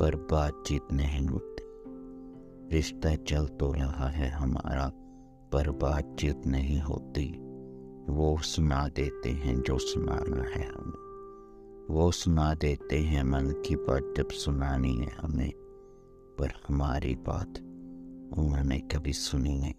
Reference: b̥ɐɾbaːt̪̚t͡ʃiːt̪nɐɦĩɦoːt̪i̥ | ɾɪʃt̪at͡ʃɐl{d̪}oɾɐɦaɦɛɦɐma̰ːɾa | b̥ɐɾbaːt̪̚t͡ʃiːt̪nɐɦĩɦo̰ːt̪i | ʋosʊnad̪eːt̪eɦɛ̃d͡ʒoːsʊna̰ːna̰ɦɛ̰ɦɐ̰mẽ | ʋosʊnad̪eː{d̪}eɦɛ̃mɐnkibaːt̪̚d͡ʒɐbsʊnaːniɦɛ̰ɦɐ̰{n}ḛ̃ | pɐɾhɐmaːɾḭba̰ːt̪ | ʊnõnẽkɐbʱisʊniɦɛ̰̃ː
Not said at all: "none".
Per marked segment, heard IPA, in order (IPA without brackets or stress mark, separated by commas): t̪, t̪, m